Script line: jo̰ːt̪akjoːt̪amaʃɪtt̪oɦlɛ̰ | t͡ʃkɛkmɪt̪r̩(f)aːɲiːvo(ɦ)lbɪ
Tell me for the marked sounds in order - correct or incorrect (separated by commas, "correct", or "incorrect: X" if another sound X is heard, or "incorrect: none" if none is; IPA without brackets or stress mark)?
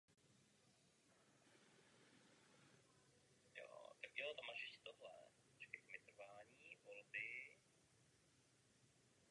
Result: incorrect: v, incorrect: none